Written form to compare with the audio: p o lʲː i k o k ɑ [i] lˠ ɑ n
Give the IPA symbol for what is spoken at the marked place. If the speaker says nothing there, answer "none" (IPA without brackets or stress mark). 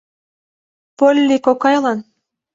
j